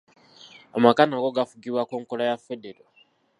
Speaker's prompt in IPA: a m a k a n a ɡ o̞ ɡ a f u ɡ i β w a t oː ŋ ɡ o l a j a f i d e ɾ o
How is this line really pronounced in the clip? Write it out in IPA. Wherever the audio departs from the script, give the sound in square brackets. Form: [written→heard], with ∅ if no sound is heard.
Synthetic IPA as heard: a m a k a n a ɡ o̞ ɡ a f u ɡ i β w a [t→k] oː ŋ [ɡ→k] o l a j a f [i→e] d e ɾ o